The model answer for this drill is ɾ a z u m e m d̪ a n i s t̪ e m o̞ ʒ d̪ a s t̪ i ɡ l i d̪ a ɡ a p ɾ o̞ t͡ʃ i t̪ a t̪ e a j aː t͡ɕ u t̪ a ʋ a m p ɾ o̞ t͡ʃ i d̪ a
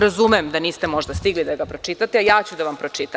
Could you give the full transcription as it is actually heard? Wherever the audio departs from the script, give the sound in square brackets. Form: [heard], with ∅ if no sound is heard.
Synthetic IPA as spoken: ɾ a z u m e m d̪ a n [iː] s t̪ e m o̞ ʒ d̪ a s t̪ i ɡ l i d̪ a ɡ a p ɾ o̞ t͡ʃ i t̪ a t̪ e a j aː t͡ɕ u [d̪] a ʋ a m p ɾ o̞ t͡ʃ i [t̪] a

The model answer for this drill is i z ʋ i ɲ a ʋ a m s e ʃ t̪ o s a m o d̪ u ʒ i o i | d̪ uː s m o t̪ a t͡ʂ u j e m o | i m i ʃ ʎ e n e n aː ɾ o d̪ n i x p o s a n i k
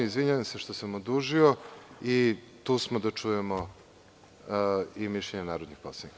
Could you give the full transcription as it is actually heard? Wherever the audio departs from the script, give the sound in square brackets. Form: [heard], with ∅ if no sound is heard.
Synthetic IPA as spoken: i z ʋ i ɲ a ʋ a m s e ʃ t̪ o s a m o d̪ u ʒ i o i | [t̪] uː s m o [d̪] a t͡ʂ u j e m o | i m i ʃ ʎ e [ɲ] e n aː ɾ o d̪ n i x p o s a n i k

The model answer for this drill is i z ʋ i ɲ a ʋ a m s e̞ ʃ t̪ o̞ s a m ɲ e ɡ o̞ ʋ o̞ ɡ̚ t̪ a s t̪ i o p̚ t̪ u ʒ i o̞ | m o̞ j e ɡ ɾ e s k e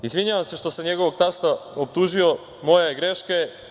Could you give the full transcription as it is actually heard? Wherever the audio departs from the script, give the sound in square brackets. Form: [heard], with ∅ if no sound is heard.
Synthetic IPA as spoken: i z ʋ i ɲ a ʋ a m s e̞ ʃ t̪ o̞ s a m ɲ e ɡ o̞ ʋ o̞ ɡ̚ t̪ a s t̪ [a] o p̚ t̪ u ʒ i o̞ | m o̞ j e ɡ ɾ e [ʃ] k e

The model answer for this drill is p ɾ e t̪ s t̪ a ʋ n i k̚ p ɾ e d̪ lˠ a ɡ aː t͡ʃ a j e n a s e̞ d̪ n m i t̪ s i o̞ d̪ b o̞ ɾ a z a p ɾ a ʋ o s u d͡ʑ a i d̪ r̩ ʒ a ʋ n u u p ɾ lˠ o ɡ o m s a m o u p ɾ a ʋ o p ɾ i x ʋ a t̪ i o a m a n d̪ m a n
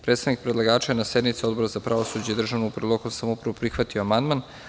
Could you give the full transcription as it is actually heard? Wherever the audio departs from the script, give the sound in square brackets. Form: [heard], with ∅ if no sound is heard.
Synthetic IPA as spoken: p ɾ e t̪ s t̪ a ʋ n i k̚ p ɾ e d̪ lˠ a ɡ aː t͡ʃ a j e n a s e̞ d̪ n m i t̪ s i o̞ d̪ b o̞ ɾ a z a p ɾ a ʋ o s u d͡ʑ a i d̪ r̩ ʒ a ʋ n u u p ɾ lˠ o [k] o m s a m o u p ɾ a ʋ o p ɾ i x ʋ a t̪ i o a m a n d̪ m a n

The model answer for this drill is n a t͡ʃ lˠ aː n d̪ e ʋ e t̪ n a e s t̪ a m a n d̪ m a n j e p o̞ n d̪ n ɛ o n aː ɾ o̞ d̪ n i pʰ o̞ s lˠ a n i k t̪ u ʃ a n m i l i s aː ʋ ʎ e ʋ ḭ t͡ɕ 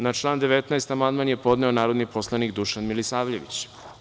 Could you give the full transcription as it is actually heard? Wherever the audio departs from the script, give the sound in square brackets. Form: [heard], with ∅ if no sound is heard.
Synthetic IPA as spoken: n a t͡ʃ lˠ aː n d̪ e ʋ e t̪ n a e s t̪ a m a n d̪ m a n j e p o̞ [∅] d̪ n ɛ o n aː ɾ o̞ d̪ n i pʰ o̞ s lˠ a n i k [d̪] u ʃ a n m i l i s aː ʋ ʎ e ʋ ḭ t͡ɕ

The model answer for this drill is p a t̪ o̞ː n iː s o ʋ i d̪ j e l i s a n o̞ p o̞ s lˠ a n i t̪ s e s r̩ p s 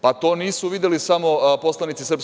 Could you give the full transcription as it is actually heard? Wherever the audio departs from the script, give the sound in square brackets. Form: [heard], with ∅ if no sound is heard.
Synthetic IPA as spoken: p a t̪ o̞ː n iː s [u] ʋ i d̪ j e l i s a [m] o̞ p o̞ s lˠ a n i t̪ s [i] s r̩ p s

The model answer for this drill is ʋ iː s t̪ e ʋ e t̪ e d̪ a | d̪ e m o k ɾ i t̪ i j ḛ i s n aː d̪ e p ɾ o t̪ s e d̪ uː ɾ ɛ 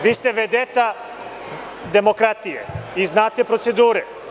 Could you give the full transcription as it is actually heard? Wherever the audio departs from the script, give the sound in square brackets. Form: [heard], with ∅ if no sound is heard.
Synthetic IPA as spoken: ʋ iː s t̪ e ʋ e [d̪] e [t̪] a | d̪ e m o k ɾ [a] t̪ i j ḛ i [z] n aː [t̪] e p ɾ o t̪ s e d̪ uː ɾ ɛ

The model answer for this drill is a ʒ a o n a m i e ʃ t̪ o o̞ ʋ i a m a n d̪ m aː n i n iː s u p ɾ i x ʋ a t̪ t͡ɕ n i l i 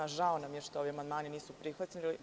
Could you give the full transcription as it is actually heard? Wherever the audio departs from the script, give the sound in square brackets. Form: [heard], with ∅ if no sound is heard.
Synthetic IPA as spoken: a ʒ a o n a m [j] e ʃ t̪ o o̞ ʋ i a m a n d̪ m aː n i n iː s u p ɾ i x ʋ a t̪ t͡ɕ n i l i

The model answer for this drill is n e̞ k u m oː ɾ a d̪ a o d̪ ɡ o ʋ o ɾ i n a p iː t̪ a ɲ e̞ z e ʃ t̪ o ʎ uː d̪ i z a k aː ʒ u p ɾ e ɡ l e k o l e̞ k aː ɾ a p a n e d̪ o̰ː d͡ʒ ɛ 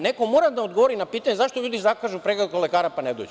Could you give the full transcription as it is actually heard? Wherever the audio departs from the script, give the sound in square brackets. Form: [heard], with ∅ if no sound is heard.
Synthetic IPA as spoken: n e̞ k [o] m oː ɾ a d̪ a o d̪ ɡ o ʋ o ɾ i n a p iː t̪ a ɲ e̞ z [a] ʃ t̪ o ʎ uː d̪ i z a k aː ʒ u p ɾ e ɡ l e k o l e̞ k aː ɾ a p a n e d̪ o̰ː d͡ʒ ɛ

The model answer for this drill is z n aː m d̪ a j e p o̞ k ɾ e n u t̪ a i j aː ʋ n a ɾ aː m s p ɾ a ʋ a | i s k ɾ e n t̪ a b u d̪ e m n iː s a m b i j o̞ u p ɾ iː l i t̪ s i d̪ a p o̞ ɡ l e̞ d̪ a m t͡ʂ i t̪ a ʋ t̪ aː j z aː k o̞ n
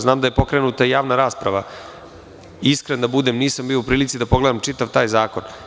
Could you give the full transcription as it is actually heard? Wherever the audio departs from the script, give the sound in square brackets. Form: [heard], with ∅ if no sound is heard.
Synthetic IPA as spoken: z n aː m d̪ a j e p o̞ k ɾ e n u t̪ a i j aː ʋ n a ɾ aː [∅] s p ɾ a ʋ a | i s k ɾ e n [d̪] a b u d̪ e m n iː s a m b i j o̞ u p ɾ iː l i t̪ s i d̪ a p o̞ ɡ l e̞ d̪ a m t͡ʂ i t̪ a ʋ t̪ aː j z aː k o̞ n

